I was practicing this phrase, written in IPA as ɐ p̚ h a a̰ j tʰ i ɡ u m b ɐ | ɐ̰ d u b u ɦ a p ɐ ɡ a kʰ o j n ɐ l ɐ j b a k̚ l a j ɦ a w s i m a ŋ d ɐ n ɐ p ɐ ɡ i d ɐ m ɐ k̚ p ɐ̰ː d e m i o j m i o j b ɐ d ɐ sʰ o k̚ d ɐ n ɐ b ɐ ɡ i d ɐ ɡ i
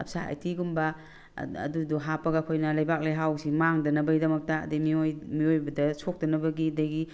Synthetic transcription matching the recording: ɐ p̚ s a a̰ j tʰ i ɡ u m b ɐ | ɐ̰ d u d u ɦ a p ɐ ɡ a kʰ o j n ɐ l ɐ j b a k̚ l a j ɦ a w s i m a ŋ d ɐ n ɐ b ɐ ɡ i d ɐ m ɐ k̚ t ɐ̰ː d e m i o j m i o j b ɐ d ɐ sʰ o k̚ d ɐ n ɐ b ɐ ɡ i d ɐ ɡ i